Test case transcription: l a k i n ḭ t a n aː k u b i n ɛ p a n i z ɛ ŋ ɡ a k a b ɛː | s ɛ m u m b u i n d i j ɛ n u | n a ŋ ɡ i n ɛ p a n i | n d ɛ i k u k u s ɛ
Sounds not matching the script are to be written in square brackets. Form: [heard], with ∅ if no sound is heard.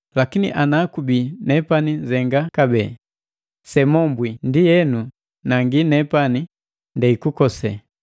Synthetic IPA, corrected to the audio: l a k i n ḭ [ʔ] a n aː k u b i n ɛ p a n i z ɛ ŋ ɡ a k a b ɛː | s ɛ m [ɔ] m b [w] i n d i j ɛ n u | n a ŋ ɡ i n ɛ p a n i | n d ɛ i k u k [ɔ] s ɛ